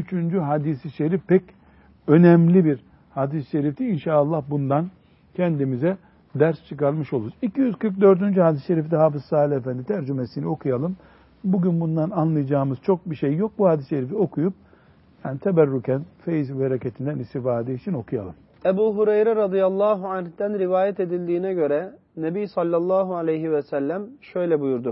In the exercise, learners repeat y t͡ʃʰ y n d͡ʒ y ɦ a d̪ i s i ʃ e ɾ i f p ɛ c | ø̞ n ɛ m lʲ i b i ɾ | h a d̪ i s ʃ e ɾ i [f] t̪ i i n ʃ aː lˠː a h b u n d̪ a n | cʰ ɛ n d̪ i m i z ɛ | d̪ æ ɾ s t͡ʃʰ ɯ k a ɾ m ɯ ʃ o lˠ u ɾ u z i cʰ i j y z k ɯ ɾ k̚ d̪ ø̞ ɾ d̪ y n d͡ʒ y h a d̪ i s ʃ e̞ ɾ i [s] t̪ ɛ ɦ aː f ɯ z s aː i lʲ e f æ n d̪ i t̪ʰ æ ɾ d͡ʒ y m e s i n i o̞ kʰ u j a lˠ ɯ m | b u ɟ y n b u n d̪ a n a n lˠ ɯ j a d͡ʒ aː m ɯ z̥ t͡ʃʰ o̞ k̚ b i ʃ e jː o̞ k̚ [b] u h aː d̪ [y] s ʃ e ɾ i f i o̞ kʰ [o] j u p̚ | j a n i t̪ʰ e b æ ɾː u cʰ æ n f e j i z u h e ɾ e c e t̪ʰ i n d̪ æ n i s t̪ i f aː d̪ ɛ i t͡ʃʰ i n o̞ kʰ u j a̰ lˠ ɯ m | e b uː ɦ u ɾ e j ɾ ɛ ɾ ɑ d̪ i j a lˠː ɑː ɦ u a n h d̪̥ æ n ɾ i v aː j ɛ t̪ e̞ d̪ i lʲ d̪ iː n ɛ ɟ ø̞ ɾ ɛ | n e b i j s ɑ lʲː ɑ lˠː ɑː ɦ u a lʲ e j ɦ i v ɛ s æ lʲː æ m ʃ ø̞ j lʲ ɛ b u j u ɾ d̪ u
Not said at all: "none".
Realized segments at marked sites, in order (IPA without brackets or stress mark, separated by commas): f, f, b, i, u